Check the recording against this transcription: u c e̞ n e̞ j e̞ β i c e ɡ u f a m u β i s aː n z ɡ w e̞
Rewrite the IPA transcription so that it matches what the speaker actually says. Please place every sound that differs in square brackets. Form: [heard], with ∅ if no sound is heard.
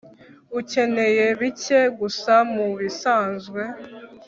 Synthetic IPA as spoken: u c e̞ n e̞ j e̞ β i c e ɡ u [s] a m u β i s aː n z ɡ w e̞

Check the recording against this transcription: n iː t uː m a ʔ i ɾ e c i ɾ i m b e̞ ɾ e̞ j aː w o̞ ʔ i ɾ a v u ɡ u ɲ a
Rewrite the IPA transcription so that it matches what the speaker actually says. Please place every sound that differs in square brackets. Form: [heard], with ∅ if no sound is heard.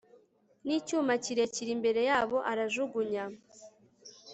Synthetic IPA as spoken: n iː [c] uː m a [c] i ɾ e c i ɾ i m b e̞ ɾ e̞ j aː [β] o̞ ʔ [a] ɾ a [ʒ] u ɡ u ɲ a

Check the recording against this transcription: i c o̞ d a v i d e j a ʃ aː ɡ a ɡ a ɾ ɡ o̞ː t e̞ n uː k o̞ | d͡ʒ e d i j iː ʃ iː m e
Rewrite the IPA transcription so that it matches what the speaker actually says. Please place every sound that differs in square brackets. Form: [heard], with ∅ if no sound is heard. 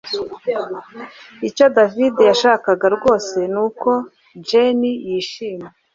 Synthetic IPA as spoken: i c o̞ d a v i d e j a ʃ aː [k] a ɡ a ɾ ɡ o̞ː [s] e̞ n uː k o̞ | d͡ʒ e [n] i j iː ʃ iː m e

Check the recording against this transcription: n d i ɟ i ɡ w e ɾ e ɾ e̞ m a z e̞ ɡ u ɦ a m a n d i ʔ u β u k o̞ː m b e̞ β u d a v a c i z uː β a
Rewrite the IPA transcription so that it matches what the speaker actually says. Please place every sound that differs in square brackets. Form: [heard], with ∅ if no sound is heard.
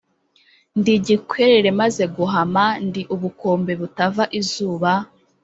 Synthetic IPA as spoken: n d i ɟ i [k] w e ɾ e ɾ e̞ m a z e̞ ɡ u ɦ a m a n d i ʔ u β u k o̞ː m b e̞ β u [t] a v a [ʔ] i z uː β a

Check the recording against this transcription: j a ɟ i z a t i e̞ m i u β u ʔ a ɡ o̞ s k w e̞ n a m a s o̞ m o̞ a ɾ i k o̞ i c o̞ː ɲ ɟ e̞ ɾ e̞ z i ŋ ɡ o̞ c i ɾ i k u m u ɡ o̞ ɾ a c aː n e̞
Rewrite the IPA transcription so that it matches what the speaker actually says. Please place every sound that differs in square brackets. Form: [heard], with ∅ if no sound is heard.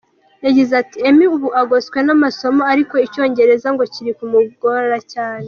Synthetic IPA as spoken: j a ɟ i z a t i e̞ m i u β u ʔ a ɡ o̞ s k w e̞ n a m a s o̞ m o̞ a ɾ i k o̞ i c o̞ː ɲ ɟ e̞ ɾ e̞ z [a] ŋ ɡ o̞ c i ɾ i k u m u ɡ o̞ ɾ a c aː n e̞

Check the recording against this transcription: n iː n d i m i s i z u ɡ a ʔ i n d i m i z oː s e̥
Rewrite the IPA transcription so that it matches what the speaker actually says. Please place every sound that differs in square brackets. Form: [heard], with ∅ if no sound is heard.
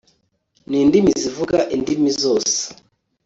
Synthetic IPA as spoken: n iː n d i m i [z] i [v] u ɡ a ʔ i n d i m i z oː s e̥

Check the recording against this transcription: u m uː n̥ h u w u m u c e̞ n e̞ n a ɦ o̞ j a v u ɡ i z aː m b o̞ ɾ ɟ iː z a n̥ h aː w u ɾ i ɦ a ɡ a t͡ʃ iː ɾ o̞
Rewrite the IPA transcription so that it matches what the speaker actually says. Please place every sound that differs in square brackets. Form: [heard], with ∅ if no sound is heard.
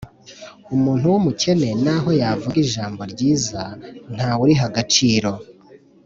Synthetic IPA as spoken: u m uː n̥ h u w u m u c e̞ n e̞ n a ɦ o̞ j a v u ɡ i [ʒ] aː m b o̞ ɾ ɟ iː z a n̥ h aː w u ɾ i ɦ a ɡ a t͡ʃ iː ɾ o̞

